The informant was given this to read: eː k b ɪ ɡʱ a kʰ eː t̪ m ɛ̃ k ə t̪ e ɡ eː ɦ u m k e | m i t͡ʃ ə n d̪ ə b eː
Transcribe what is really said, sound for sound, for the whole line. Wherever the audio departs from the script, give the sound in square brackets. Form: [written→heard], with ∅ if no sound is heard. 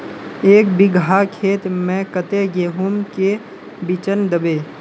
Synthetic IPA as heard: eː k b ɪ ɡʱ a kʰ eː t̪ m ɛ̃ k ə t̪ e ɡ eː ɦ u m k e | [m→b] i t͡ʃ ə n d̪ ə b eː